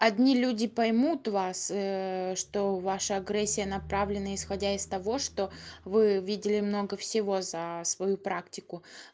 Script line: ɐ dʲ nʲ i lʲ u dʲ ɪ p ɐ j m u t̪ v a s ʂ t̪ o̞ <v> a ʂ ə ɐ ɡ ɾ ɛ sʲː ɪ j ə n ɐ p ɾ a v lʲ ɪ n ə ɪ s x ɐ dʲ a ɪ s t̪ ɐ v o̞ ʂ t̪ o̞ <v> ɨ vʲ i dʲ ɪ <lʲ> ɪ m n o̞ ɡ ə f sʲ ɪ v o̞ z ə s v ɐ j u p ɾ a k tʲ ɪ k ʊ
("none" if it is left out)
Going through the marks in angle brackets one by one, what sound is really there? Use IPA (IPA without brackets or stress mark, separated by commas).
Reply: v, v, lʲ